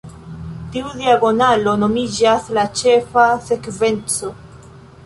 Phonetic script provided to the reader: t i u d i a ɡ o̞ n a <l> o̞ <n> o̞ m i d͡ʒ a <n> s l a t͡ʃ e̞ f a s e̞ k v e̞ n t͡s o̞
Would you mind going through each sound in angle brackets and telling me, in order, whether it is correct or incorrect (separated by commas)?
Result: correct, correct, incorrect